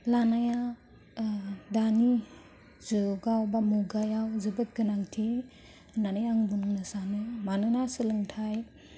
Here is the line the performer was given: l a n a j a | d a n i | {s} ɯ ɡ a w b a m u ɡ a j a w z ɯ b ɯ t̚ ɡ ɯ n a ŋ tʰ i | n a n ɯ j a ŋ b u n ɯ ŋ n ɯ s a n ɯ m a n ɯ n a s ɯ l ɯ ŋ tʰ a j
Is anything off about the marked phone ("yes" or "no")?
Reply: yes